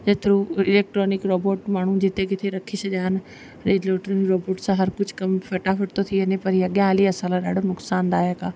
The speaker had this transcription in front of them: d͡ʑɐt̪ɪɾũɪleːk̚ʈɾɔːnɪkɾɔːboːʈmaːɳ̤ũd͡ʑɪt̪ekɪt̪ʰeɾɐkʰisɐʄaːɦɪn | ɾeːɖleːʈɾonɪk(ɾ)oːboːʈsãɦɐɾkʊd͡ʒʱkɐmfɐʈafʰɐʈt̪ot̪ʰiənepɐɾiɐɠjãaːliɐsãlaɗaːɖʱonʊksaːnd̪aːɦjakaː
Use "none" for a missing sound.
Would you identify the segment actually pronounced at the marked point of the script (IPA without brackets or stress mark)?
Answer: ɾ